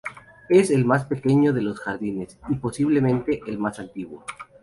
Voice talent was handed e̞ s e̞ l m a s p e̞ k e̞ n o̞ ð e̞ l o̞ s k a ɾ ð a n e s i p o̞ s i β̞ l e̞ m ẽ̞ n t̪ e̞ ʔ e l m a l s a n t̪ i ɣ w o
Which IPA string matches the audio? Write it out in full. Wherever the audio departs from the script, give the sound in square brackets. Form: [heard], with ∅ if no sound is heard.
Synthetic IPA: e̞ s e̞ l m a s p e̞ k e̞ [ɲ] o̞ ð e̞ l o̞ s [x] a ɾ ð [i] n e s i p o̞ s i β̞ l e̞ m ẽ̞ n t̪ e̞ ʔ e l m a [∅] s a n t̪ i ɣ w o